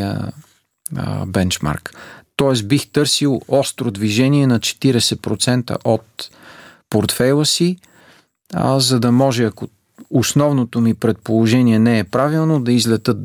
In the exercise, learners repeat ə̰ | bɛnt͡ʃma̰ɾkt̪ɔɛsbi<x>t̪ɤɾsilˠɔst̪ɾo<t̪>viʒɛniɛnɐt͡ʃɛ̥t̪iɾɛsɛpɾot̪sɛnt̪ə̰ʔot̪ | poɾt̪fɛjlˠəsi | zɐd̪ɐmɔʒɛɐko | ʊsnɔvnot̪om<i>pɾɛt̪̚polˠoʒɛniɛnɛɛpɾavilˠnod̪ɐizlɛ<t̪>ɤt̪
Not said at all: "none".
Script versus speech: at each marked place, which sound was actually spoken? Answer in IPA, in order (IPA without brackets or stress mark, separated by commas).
x, d̪, i, t̪